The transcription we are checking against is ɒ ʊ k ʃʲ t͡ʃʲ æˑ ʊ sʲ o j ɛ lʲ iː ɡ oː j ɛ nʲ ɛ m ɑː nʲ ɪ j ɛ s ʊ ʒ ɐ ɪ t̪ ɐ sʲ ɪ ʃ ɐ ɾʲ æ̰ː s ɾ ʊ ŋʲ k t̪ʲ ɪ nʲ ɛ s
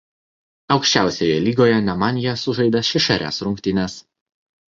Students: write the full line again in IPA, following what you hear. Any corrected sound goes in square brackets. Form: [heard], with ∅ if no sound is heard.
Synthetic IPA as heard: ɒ ʊ k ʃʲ t͡ʃʲ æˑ ʊ sʲ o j ɛ lʲ iː ɡ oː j ɛ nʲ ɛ m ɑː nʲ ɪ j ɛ s ʊ ʒ ɐ ɪ [d̪] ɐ [ʃʲ] ɪ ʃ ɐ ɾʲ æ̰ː s ɾ ʊ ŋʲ k t̪ʲ ɪ nʲ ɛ s